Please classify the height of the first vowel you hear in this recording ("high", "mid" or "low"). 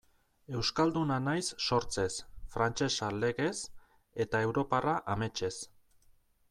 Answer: mid